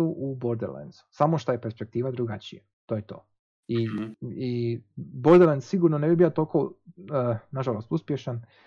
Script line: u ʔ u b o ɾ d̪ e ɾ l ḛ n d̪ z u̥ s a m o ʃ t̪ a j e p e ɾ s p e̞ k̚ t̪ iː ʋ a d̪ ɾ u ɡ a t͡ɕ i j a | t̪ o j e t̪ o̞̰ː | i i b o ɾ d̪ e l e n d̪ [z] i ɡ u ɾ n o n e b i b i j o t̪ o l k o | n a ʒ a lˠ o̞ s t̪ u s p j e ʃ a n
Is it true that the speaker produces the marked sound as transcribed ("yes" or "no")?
no